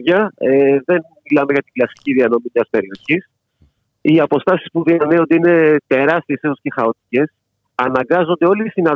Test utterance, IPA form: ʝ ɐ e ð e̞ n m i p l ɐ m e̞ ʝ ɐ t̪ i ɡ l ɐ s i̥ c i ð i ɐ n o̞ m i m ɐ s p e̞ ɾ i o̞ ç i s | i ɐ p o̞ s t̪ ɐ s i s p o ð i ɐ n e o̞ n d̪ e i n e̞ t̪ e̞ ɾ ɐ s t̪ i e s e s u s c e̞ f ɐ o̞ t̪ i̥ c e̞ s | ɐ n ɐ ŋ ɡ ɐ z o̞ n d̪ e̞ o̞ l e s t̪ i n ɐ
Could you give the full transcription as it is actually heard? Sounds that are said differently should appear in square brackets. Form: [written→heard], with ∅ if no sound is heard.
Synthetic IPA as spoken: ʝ ɐ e ð e̞ n m i [p→∅] l ɐ m e̞ ʝ ɐ t̪ i ɡ l ɐ s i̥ c i ð i ɐ n o̞ m i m ɐ s p e̞ ɾ i o̞ ç i s | i ɐ p o̞ s t̪ ɐ s i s p [o→u] ð i ɐ n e o̞ n d̪ e i n e̞ t̪ e̞ ɾ ɐ s t̪ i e s e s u s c e̞ [f→x] ɐ o̞ t̪ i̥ c e̞ s | ɐ n ɐ ŋ ɡ ɐ z o̞ n d̪ e̞ o̞ l [e→i] s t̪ i n ɐ